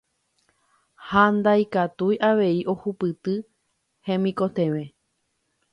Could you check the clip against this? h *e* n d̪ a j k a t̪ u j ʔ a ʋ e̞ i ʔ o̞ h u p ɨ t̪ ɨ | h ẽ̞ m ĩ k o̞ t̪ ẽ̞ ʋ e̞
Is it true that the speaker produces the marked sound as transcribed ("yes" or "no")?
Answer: no